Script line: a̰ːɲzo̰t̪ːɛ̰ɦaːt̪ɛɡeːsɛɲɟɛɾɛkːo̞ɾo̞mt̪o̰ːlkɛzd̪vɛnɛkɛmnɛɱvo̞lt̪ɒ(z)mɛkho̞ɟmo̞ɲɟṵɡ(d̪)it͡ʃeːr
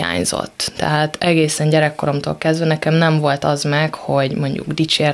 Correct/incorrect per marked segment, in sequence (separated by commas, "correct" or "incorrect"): correct, correct